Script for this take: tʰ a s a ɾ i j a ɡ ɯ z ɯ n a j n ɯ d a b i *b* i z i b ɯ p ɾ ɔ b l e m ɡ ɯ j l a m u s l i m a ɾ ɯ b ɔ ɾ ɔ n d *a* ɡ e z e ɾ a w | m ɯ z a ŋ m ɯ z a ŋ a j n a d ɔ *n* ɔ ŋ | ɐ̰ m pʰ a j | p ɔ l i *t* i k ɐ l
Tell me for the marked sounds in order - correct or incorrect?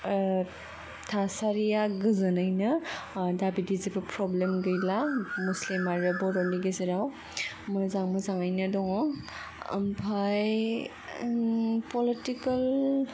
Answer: incorrect: d, incorrect: i, incorrect: ŋ, correct

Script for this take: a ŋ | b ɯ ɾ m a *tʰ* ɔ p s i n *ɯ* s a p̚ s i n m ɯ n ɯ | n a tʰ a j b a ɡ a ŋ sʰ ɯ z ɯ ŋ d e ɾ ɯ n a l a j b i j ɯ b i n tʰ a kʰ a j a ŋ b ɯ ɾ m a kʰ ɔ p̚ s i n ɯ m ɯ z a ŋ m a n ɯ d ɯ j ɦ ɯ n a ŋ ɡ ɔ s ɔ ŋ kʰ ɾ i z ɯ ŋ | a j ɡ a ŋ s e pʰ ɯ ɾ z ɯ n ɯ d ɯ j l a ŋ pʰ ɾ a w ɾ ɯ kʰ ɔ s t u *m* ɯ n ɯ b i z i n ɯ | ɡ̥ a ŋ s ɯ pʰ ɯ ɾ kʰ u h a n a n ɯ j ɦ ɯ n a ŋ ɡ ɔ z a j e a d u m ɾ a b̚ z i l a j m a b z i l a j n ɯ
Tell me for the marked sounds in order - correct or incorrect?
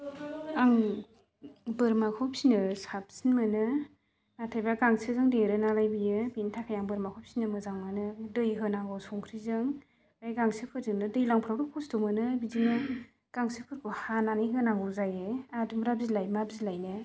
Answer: incorrect: kʰ, correct, correct

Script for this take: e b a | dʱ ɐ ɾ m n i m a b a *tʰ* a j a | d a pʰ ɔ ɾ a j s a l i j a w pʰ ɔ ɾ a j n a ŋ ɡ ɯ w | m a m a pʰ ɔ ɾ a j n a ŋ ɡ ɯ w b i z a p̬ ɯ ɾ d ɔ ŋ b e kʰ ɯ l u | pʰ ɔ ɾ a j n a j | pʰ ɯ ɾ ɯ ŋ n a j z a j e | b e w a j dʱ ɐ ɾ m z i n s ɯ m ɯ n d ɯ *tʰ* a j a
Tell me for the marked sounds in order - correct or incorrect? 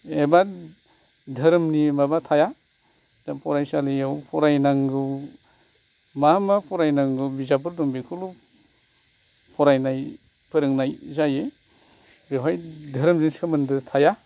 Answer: correct, correct

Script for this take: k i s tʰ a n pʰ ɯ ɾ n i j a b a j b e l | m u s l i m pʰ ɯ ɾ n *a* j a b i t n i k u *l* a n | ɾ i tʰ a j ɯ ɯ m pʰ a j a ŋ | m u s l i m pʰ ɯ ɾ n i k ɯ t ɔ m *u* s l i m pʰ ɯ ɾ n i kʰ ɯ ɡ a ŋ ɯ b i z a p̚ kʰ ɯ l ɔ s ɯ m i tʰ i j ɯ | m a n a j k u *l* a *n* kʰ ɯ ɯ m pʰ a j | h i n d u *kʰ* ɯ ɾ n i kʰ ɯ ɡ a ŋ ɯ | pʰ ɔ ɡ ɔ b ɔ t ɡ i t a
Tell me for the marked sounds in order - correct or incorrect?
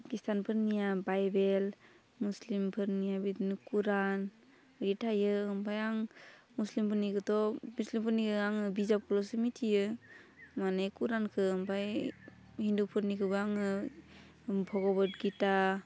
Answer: incorrect: i, incorrect: ɾ, correct, incorrect: ɾ, correct, incorrect: pʰ

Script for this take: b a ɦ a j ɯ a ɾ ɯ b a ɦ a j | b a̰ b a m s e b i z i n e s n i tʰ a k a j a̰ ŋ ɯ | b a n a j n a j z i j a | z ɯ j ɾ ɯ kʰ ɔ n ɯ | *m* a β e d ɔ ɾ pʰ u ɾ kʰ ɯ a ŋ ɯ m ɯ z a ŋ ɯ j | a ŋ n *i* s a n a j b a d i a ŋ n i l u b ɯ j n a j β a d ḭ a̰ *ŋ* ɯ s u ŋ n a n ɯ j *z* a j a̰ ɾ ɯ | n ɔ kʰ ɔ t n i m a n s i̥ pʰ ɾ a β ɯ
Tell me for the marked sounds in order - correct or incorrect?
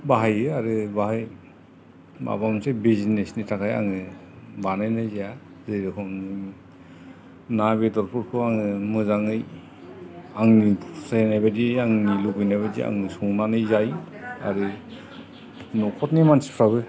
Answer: incorrect: n, correct, correct, correct

